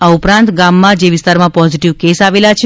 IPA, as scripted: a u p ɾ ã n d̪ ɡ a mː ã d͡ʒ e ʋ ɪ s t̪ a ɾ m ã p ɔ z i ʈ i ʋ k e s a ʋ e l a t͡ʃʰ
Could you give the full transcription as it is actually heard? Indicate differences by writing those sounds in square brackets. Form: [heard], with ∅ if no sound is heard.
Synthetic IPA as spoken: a u p ɾ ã n [t̪] ɡ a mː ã d͡ʒ e ʋ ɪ s t̪ a ɾ m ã p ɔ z i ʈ i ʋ k e s a ʋ e l a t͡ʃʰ